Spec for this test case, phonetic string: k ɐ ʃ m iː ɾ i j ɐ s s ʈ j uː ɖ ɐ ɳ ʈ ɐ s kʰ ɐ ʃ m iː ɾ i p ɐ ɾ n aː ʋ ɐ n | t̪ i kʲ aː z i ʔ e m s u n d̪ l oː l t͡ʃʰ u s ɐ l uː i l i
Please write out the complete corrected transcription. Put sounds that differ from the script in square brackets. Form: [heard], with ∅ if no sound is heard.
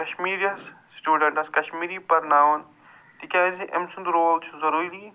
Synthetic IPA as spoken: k ɐ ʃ m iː ɾ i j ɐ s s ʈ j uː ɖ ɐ ɳ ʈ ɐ s [k] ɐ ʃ m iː ɾ i p ɐ ɾ n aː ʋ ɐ n | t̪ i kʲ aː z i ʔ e m s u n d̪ [ɾ] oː l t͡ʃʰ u [z] ɐ [ɾ] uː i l i